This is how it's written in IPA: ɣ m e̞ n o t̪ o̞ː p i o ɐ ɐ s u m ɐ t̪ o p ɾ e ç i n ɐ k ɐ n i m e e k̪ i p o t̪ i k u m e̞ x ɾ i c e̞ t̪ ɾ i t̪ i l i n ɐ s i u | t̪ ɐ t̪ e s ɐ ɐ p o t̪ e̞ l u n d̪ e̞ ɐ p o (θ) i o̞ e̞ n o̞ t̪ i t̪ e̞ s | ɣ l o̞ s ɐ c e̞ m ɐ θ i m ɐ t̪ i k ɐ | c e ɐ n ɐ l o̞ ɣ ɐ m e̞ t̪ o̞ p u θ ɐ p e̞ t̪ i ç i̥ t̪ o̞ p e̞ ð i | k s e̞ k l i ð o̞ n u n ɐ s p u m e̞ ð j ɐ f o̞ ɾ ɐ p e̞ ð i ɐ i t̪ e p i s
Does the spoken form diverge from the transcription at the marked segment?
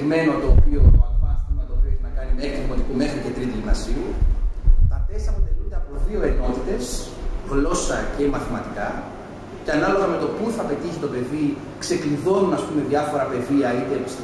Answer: yes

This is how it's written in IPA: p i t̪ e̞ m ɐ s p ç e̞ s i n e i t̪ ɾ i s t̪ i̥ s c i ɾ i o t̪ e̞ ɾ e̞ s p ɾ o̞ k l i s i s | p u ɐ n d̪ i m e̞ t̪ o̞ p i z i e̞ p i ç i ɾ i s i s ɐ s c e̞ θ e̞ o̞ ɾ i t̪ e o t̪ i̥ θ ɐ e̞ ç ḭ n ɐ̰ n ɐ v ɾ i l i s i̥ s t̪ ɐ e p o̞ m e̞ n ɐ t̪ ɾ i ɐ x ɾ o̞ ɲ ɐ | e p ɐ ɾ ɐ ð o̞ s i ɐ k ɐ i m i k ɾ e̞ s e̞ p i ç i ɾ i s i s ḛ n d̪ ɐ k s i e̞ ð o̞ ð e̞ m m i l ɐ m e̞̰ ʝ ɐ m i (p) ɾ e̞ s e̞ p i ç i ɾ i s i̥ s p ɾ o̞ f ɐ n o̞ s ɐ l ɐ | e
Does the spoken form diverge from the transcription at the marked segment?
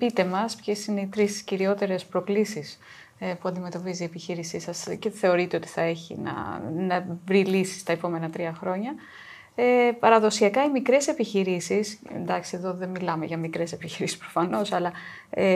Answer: yes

